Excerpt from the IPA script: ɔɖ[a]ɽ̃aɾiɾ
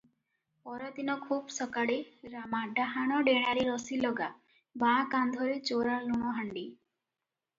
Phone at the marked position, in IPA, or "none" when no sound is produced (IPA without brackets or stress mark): e